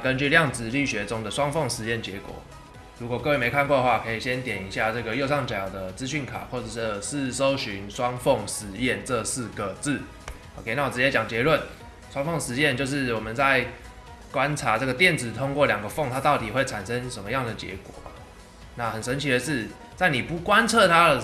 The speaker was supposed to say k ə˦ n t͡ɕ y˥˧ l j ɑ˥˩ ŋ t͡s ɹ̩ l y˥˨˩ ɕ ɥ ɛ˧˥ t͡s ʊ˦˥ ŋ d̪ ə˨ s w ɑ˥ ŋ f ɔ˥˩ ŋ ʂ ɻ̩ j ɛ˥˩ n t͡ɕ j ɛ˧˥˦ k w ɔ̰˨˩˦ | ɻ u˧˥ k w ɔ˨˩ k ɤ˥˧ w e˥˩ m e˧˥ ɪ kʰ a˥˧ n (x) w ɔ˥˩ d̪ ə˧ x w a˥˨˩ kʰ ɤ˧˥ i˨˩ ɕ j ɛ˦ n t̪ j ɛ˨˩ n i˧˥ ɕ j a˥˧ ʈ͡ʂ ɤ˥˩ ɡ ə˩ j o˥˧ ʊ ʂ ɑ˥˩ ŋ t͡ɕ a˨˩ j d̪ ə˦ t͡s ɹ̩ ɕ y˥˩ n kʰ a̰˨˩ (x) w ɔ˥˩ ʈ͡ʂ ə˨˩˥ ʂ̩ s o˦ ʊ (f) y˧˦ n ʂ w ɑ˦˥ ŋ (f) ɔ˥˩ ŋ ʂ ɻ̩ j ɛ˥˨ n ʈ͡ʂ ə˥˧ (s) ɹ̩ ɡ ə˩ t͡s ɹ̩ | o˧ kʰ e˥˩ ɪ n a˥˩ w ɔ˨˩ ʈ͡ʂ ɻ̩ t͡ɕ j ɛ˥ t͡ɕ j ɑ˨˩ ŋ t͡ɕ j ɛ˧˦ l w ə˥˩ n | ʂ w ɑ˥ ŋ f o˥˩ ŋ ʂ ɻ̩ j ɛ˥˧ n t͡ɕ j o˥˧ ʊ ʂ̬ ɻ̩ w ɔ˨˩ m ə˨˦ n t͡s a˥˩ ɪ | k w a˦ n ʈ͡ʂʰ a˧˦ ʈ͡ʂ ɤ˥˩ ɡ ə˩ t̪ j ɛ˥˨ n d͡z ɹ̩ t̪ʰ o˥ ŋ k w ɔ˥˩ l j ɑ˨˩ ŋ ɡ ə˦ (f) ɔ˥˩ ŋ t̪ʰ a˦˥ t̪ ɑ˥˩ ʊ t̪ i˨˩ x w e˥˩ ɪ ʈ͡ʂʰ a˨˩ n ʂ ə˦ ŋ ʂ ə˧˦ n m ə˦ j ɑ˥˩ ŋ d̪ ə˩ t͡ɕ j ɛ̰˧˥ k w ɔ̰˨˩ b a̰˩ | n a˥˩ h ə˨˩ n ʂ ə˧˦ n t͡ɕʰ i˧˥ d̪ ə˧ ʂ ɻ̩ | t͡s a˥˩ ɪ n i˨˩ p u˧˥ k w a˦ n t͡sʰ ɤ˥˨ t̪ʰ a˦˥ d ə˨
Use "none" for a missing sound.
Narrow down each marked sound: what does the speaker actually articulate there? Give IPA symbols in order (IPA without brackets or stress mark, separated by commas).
k, x, ɕ, f, s, f